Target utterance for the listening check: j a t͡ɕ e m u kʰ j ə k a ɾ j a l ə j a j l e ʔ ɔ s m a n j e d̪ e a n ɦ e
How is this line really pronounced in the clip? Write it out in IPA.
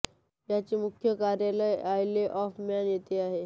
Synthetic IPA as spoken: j a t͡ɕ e m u kʰ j ə k a ɾ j a l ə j a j l e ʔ ɔ f m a n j e t̪ e a ɦ e